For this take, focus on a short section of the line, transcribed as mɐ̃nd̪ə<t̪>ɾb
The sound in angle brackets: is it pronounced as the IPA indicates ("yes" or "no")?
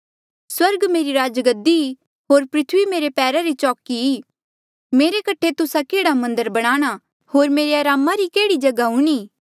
no